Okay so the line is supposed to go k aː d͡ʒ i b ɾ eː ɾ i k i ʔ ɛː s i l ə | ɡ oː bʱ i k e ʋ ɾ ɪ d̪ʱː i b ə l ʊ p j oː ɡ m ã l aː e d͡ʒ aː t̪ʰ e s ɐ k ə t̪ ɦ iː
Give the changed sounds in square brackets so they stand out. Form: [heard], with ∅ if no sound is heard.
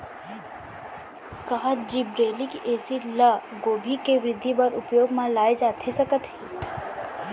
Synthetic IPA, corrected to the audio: k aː d͡ʒ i b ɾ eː [l] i k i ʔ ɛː s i l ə | ɡ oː bʱ i k e ʋ ɾ ɪ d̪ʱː i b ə [ɾ] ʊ p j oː ɡ m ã l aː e d͡ʒ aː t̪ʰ e s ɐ k ə t̪ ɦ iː